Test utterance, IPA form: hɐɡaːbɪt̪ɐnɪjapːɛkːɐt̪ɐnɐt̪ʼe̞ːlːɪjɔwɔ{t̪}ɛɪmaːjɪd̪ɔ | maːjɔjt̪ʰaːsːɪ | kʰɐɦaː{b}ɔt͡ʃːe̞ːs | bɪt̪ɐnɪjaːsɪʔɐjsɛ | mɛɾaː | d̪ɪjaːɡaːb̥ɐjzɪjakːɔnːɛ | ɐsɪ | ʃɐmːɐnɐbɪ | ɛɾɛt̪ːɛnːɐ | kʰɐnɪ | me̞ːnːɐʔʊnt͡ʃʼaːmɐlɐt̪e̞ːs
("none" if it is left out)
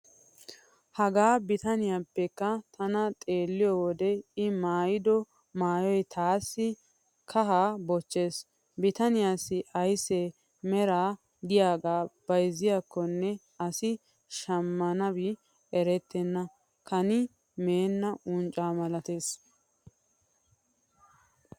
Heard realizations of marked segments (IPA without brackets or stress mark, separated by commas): d̪, b